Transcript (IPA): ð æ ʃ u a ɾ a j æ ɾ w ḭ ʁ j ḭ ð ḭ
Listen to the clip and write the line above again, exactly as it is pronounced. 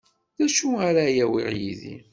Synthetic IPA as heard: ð æ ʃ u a ɾ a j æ w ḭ ʁ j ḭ ð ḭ